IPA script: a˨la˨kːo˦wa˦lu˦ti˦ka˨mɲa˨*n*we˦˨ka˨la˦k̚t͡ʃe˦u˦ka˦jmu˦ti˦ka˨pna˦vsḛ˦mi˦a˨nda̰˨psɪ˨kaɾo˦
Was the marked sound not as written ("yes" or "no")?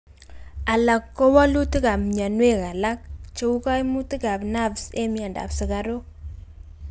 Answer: no